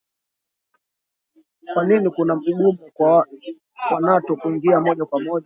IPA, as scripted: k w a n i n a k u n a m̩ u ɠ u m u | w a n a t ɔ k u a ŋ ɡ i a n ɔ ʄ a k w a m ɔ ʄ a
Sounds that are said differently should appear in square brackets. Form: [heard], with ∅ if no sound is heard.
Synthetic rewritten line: k w a n i n [i] k u n a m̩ u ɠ u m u | w a n a t ɔ k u [i] ŋ ɡ i a [m] ɔ ʄ a k w a m ɔ ʄ a